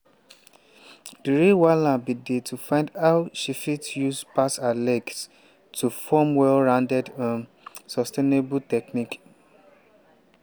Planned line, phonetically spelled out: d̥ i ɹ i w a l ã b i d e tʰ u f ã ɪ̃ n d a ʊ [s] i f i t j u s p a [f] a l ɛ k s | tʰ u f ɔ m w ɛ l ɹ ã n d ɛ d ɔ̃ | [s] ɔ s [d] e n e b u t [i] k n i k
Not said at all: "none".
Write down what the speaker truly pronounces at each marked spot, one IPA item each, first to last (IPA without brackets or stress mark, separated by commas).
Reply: ʃ, s, s, t, ɛ